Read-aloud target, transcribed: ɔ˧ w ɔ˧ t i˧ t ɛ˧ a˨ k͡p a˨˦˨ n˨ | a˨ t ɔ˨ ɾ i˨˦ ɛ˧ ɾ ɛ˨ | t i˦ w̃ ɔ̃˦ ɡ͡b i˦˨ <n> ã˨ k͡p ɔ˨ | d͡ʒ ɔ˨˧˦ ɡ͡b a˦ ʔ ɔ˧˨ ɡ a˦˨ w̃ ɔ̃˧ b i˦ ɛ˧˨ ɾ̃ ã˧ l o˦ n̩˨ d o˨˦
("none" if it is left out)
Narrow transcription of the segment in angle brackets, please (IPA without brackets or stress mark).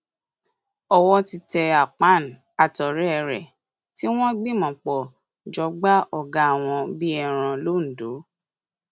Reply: m